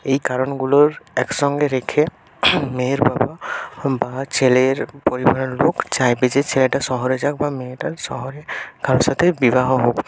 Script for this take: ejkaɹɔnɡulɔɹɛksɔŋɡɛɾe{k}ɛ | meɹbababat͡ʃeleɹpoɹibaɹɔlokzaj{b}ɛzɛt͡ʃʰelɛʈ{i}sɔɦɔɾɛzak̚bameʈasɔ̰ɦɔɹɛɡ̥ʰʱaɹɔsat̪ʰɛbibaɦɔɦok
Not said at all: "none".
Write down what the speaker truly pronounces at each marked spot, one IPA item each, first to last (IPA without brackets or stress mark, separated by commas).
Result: kʰ, b, a